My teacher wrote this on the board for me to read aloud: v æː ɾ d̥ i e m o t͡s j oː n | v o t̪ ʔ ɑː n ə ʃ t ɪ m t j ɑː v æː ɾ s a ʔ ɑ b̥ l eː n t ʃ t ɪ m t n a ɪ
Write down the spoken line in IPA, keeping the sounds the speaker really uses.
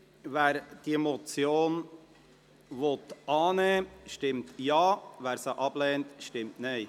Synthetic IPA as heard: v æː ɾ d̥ i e m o t͡s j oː n | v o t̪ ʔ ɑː n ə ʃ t ɪ m t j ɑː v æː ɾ s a ʔ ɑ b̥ l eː n t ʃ t ɪ m t n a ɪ